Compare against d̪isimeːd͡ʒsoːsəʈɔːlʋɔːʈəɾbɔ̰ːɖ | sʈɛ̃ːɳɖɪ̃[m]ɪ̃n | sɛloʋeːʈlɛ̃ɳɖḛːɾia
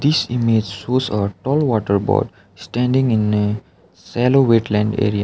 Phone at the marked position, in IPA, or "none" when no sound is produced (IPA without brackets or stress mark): ŋ